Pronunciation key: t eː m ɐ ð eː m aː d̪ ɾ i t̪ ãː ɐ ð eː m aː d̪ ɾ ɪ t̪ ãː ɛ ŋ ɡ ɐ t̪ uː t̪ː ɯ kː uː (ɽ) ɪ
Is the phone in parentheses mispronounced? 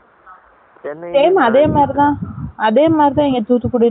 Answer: no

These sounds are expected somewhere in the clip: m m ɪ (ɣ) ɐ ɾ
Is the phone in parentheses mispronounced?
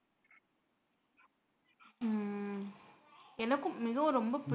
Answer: no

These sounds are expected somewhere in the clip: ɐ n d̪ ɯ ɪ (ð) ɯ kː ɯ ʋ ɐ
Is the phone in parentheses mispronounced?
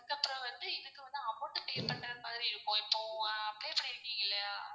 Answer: no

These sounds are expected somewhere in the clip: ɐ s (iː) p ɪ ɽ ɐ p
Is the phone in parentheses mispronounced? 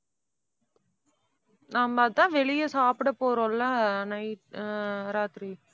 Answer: yes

